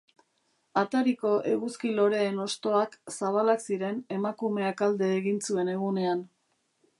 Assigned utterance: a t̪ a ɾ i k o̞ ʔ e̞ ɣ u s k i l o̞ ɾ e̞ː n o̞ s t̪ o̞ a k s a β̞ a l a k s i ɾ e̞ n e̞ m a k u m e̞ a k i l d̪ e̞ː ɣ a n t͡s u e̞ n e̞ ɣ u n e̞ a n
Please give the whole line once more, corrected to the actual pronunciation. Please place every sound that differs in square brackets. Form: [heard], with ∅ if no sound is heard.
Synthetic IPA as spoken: a t̪ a ɾ i k o̞ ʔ e̞ ɣ u s k i l o̞ ɾ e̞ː n o̞ s t̪ o̞ a k s a β̞ a l a k s i ɾ e̞ n e̞ m a k u m e̞ a k [a] l d̪ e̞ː ɣ [i] n t͡s u e̞ n e̞ ɣ u n e̞ a n